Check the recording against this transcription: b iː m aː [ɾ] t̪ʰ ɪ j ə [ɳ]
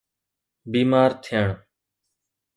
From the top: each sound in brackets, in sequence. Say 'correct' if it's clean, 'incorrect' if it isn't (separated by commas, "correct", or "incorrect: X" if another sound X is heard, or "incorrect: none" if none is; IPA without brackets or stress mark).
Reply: correct, correct